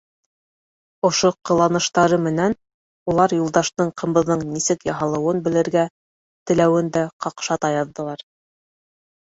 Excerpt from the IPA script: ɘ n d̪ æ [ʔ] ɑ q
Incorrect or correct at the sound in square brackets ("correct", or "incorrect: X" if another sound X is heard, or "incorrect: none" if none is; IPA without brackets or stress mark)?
incorrect: q